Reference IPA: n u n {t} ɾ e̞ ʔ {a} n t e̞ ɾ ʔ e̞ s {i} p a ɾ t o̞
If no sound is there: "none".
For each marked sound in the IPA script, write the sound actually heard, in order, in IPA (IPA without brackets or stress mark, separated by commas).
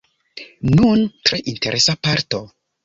t, i, a